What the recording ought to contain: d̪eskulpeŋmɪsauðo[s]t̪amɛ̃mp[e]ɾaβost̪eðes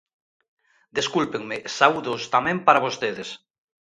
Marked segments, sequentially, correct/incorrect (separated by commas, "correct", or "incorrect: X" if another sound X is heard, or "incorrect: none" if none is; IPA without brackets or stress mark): correct, incorrect: a